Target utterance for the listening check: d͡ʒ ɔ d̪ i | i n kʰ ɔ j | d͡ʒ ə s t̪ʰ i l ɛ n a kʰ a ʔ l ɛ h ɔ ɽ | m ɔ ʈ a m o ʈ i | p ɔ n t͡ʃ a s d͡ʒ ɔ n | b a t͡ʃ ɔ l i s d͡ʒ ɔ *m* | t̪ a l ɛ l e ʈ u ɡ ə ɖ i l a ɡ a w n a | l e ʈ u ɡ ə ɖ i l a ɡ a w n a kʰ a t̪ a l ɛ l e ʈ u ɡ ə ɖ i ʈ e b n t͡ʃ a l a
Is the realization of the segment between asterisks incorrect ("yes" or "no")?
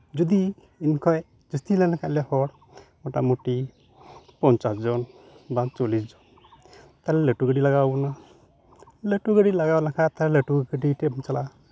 yes